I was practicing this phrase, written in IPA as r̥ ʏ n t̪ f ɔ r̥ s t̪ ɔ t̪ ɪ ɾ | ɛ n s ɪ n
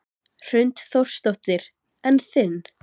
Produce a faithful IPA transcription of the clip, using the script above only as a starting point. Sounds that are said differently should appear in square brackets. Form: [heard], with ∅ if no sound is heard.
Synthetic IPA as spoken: r̥ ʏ n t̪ [θ] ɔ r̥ s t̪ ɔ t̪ ɪ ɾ | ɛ n [θ] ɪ n